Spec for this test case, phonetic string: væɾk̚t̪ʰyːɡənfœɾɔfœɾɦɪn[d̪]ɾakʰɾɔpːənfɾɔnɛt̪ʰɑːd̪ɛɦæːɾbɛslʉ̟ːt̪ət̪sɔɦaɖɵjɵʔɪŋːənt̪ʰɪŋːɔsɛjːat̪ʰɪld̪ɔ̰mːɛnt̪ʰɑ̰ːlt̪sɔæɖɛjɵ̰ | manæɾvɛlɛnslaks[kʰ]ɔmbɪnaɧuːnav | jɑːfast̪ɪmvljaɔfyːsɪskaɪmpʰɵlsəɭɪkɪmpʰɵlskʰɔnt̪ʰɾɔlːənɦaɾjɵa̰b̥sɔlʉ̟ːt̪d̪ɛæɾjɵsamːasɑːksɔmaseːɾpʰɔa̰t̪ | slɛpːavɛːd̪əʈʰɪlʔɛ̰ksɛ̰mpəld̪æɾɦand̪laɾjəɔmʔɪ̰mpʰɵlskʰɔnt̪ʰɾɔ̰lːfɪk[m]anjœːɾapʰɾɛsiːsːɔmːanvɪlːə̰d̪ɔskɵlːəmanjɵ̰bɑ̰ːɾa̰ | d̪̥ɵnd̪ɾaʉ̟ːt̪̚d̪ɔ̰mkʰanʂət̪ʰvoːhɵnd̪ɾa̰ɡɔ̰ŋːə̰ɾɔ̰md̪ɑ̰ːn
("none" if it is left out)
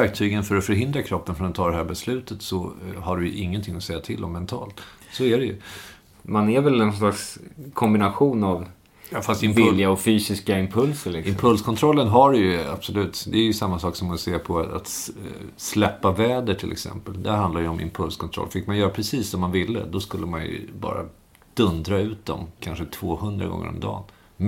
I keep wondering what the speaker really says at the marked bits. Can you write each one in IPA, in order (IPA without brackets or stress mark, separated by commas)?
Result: d̪, kʰ, m